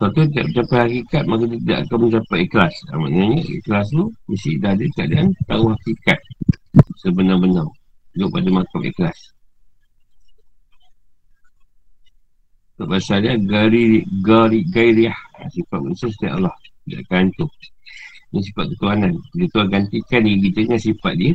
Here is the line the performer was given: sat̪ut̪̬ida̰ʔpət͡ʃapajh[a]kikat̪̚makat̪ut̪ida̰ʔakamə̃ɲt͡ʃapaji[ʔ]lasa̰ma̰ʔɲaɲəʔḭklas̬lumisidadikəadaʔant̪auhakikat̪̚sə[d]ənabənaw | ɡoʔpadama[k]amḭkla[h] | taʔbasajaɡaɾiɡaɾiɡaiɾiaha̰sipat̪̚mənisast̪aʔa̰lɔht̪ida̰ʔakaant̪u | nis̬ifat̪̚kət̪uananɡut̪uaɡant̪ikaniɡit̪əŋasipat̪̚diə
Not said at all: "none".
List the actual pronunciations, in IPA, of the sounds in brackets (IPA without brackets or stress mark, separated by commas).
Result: a, k, b, k, s